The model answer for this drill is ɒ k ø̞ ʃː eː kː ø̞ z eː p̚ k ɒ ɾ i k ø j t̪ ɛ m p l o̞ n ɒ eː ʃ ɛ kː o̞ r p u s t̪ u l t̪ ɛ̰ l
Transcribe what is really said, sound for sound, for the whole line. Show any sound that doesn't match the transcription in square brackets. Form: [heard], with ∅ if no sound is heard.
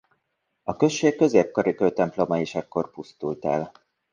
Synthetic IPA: ɒ k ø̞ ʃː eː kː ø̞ z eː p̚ k ɒ ɾ i k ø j t̪ ɛ m p l o̞ [m] ɒ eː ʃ ɛ kː o̞ r p u s t̪ u l t̪ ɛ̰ l